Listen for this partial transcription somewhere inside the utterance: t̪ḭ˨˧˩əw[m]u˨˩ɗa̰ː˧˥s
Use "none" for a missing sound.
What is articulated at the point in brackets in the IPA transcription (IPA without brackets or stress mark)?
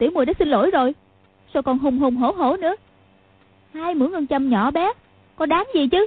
m